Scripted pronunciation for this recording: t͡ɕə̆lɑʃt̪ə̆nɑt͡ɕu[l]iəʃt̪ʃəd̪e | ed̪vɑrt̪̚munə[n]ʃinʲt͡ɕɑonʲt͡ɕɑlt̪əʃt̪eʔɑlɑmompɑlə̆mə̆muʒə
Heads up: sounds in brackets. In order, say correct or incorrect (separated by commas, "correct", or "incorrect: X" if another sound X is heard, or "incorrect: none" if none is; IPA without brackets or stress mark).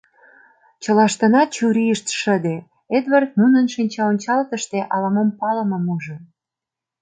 incorrect: ɾ, correct